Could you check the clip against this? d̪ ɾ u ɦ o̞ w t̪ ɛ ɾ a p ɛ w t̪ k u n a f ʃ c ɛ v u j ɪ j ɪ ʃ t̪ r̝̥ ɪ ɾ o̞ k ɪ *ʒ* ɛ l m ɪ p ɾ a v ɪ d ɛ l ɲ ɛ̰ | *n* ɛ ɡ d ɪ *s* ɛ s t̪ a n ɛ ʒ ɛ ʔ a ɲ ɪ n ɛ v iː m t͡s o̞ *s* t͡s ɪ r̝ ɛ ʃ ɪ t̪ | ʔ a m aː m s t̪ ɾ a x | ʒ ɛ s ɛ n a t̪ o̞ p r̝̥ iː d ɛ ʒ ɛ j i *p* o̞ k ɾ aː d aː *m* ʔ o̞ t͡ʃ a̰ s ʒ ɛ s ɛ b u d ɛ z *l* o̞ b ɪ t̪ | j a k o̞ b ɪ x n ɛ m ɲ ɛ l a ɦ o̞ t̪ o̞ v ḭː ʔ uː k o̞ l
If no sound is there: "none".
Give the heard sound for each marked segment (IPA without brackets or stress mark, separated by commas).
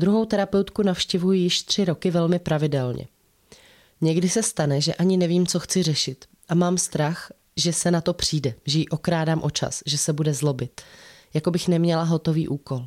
v, ɲ, s, x, ʔ, m, l